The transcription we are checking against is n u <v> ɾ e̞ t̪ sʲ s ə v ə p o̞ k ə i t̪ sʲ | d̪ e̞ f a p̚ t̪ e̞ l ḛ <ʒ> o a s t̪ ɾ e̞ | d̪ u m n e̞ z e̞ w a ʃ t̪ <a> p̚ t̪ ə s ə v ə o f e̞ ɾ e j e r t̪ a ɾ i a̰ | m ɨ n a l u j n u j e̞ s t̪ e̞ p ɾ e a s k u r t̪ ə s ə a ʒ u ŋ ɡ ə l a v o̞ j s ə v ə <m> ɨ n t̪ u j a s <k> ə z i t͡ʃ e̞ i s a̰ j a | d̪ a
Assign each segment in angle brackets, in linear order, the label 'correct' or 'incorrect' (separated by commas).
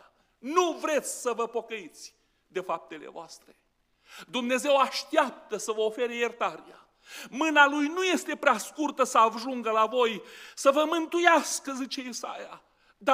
correct, incorrect, correct, correct, correct